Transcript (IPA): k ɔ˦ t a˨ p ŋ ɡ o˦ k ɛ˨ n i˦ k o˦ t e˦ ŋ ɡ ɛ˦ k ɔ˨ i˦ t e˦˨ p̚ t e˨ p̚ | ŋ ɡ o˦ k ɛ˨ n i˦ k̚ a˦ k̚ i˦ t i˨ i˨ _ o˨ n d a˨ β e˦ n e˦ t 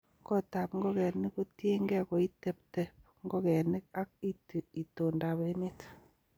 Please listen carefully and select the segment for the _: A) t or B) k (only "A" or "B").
A